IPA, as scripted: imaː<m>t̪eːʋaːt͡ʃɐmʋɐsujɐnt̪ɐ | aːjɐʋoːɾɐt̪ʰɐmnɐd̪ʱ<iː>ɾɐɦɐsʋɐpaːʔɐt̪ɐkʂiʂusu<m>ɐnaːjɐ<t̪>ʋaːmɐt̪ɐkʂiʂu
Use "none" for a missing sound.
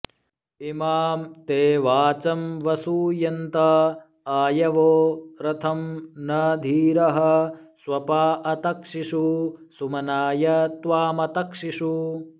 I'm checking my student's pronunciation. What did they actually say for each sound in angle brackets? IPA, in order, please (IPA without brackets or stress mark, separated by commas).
m, iː, m, t̪